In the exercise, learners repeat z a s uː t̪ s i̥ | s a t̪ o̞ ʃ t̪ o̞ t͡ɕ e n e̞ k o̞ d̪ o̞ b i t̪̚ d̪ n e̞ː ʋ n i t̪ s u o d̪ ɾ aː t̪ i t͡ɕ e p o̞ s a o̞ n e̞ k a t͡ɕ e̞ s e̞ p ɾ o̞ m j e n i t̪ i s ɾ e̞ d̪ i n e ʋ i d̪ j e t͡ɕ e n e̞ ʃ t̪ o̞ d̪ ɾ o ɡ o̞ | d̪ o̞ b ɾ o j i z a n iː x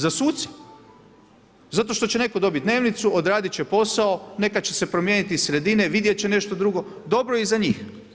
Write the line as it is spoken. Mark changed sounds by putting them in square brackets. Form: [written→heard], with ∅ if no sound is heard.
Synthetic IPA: z a s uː t̪ s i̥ | [s→z] a t̪ o̞ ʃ t̪ o̞ t͡ɕ e n e̞ k o̞ d̪ o̞ b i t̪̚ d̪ n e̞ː ʋ n i t̪ s u o d̪ ɾ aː [t̪→d̪] i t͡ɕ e p o̞ s a o̞ n e̞ k a t͡ɕ e̞ s e̞ p ɾ o̞ m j e n i t̪ i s ɾ e̞ d̪ i n e ʋ i d̪ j e t͡ɕ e n e̞ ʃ t̪ o̞ d̪ ɾ [o→u] ɡ o̞ | d̪ o̞ b ɾ o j i z a [n→ɲ] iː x